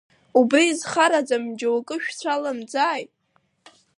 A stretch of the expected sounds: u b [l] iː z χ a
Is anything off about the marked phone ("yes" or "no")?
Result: yes